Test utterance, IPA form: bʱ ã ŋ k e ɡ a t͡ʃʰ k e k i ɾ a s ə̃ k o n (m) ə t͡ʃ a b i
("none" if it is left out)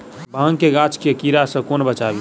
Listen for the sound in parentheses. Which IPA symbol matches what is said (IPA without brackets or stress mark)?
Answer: b